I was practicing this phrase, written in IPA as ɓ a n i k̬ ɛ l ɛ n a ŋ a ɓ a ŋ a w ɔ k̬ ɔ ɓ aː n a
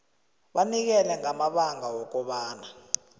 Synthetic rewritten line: ɓ a n i k̬ ɛ l ɛ ŋ a m a ɓ a ŋ a w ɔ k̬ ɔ ɓ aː n a